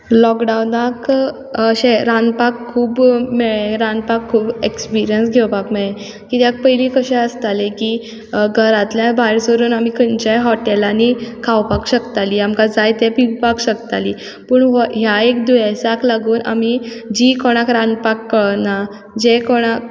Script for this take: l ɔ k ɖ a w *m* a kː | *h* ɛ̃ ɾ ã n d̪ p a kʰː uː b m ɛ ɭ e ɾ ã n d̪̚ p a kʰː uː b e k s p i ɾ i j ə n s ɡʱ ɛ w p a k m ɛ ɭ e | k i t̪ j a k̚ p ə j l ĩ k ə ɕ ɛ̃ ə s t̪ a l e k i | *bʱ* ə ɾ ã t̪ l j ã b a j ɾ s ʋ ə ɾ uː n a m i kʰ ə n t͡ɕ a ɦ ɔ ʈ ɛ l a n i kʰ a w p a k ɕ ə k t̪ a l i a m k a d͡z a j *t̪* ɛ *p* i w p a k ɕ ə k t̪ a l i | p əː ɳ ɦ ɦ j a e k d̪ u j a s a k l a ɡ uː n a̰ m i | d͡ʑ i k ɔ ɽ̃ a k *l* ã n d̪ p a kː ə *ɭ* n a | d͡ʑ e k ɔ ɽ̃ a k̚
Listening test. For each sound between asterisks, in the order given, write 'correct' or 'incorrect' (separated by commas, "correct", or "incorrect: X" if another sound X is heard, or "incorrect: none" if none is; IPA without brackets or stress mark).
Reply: incorrect: n, incorrect: ɕ, incorrect: ɡʱ, correct, correct, incorrect: ɾ, correct